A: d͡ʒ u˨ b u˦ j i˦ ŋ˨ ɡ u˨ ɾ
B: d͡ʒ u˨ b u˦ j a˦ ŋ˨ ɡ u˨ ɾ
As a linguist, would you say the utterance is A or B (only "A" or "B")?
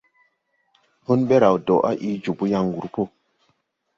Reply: B